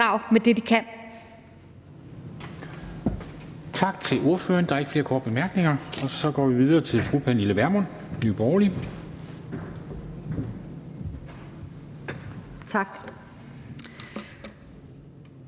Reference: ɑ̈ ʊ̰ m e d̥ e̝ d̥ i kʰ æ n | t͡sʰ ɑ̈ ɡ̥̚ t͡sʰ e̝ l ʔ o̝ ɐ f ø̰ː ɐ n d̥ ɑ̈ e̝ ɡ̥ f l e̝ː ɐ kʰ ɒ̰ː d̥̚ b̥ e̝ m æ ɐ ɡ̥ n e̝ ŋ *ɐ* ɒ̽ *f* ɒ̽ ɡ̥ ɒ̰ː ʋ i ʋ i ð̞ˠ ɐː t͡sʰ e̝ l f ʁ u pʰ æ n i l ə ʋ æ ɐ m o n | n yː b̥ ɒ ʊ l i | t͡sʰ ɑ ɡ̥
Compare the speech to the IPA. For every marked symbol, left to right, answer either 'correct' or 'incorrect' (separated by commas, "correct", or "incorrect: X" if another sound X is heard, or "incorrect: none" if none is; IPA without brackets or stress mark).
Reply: correct, incorrect: s